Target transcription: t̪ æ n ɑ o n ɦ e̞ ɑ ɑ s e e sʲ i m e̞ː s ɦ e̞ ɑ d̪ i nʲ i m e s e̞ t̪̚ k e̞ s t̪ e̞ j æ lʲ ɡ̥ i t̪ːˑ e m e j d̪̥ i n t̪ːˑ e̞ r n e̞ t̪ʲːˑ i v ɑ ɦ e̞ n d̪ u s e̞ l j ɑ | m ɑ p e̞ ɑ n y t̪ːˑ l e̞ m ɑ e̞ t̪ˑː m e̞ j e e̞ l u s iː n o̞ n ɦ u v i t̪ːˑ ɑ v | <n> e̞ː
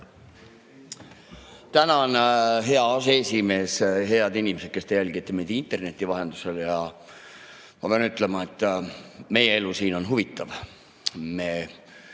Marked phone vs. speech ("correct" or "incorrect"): incorrect